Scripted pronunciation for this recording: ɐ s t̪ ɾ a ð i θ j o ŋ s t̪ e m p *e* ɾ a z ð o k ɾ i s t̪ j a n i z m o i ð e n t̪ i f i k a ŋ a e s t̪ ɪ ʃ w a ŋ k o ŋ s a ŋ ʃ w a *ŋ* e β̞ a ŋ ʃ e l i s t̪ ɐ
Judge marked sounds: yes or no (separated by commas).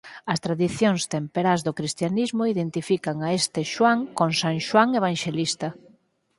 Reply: yes, yes